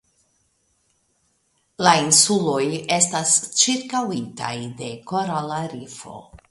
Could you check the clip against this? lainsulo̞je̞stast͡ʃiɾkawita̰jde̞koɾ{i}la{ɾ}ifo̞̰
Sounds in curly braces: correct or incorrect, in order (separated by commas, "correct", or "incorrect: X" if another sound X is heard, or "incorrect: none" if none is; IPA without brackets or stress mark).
incorrect: a, correct